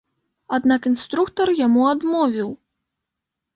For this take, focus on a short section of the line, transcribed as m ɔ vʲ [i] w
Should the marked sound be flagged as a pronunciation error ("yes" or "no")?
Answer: no